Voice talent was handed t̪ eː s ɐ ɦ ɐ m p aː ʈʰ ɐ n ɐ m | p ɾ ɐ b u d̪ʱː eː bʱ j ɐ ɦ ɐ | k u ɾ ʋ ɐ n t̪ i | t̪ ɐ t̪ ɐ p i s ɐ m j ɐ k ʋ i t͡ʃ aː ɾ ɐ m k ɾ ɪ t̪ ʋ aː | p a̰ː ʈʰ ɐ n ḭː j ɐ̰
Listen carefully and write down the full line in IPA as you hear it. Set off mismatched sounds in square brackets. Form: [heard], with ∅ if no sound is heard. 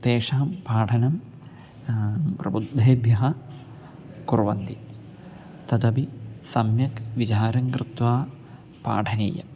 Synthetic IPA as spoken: t̪ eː [ʂ] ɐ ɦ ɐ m p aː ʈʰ ɐ n ɐ m | p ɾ ɐ b u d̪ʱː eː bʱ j ɐ ɦ ɐ | k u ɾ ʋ ɐ n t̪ i | t̪ ɐ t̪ ɐ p i s ɐ m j ɐ k ʋ i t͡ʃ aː ɾ ɐ [ŋ] k ɾ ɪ t̪ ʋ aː | p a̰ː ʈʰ ɐ n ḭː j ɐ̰